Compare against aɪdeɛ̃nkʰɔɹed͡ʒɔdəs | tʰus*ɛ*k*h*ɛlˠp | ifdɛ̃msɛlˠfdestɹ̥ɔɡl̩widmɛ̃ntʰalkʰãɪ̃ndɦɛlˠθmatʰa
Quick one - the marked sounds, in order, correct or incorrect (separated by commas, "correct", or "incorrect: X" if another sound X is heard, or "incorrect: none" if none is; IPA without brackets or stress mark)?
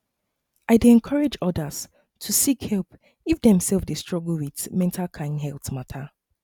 incorrect: i, correct